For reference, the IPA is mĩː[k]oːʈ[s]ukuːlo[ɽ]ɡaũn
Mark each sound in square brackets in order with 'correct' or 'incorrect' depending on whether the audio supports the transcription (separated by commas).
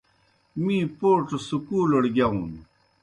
incorrect, correct, correct